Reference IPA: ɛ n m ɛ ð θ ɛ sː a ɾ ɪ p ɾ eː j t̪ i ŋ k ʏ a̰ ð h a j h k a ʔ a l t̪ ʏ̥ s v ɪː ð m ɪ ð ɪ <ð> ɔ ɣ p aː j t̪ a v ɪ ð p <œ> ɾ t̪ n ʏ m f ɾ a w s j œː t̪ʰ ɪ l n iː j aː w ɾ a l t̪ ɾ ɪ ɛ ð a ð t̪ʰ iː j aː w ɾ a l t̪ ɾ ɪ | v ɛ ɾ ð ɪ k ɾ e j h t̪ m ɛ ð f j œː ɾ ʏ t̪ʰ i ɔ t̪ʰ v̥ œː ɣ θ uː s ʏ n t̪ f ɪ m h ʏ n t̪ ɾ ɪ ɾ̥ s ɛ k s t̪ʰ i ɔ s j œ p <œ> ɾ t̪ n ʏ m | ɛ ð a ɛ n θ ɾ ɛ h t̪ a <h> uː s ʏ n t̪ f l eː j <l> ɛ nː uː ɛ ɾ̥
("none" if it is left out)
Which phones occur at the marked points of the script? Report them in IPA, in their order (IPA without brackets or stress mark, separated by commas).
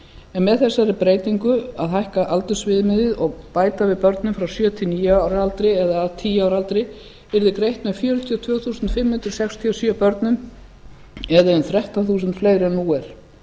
ð, œ, œ, θ, ɾ